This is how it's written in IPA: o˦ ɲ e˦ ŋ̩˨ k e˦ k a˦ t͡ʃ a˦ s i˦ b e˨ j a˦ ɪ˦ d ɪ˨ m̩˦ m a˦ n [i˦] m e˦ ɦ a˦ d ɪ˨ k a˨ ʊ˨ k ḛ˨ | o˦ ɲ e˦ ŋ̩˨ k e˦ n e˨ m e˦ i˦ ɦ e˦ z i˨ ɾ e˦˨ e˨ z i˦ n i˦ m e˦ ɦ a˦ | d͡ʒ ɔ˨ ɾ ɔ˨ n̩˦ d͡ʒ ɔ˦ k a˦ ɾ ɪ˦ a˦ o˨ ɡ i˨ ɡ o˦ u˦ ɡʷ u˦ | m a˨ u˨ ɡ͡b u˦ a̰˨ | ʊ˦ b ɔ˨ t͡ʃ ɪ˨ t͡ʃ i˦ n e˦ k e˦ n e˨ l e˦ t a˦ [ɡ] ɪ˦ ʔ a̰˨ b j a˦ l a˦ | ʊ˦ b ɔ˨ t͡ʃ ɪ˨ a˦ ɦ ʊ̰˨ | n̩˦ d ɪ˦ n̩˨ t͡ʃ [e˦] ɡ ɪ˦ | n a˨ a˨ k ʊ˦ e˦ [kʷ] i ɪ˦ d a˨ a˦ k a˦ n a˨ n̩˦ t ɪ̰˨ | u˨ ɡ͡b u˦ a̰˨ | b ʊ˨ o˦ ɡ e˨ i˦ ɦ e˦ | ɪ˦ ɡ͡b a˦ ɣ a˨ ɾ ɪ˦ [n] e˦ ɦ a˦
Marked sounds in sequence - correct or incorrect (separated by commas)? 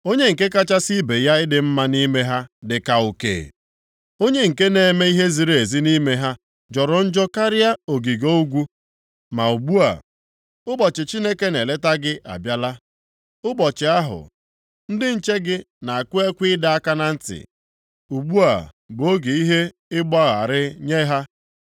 correct, correct, correct, correct, incorrect